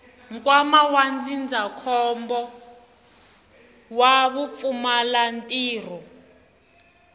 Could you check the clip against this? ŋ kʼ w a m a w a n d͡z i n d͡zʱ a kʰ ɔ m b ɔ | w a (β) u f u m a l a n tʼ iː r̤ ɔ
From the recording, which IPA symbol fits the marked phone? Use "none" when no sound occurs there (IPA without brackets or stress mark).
β